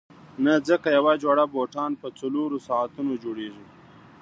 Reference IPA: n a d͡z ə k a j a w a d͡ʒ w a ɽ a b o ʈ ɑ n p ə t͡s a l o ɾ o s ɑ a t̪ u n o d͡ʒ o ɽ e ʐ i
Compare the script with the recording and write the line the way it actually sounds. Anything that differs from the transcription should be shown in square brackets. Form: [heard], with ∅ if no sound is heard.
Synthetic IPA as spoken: n a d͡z ə k a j a w a d͡ʒ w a ɽ a b o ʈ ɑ n p ə t͡s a l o ɾ o s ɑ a t̪ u n o d͡ʒ o ɽ e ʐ i